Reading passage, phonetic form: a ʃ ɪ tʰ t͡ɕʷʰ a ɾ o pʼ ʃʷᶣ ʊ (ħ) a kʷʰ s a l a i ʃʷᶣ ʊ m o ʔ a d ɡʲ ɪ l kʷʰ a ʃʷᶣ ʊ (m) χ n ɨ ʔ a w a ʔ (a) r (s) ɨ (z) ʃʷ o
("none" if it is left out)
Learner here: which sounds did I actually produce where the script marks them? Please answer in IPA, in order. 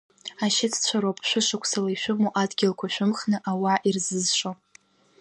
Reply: ʂ, m, i, z, z

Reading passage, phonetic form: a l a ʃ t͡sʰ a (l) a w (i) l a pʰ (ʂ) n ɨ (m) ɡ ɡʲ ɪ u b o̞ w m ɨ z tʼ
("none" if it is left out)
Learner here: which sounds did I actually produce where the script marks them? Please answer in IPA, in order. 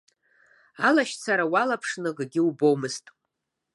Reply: ɾ, a, ʂ, none

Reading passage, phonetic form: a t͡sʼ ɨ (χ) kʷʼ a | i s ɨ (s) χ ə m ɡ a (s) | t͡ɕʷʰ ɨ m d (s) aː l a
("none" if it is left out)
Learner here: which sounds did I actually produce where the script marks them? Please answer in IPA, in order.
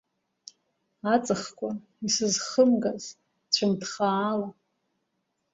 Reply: χ, z, z, χ

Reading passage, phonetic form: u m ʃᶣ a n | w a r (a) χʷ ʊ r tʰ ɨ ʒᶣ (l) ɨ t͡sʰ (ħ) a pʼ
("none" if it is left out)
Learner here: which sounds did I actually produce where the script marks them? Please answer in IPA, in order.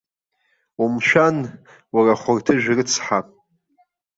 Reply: a, r, ħ

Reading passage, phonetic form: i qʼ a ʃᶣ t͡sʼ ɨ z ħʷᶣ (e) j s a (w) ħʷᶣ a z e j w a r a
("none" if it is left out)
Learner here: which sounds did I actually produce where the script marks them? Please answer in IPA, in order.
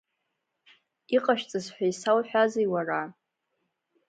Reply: a, w

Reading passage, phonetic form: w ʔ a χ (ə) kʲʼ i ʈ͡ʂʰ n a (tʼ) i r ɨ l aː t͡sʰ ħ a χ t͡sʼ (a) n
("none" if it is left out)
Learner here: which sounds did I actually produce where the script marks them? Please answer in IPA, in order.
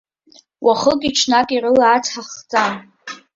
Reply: ə, kʼ, a

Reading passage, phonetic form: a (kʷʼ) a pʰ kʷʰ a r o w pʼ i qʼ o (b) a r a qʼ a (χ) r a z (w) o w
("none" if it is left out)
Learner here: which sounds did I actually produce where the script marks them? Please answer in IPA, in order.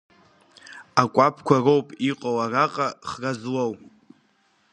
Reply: kʷʼ, w, χ, w

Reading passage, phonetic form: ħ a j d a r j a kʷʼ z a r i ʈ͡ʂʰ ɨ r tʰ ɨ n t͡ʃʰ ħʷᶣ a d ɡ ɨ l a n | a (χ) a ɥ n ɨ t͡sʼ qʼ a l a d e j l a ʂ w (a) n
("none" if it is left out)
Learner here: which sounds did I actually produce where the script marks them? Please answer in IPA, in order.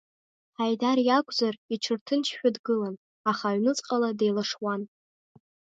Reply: χ, a

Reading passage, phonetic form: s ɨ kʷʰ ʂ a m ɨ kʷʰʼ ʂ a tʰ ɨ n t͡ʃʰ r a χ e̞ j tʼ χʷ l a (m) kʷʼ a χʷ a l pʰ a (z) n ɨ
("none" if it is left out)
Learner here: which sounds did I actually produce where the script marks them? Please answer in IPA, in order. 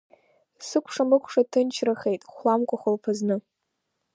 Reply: m, z

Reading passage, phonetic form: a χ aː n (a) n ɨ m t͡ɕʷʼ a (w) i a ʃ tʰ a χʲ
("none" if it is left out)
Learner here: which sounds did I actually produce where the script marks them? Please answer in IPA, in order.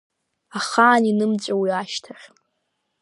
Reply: i, w

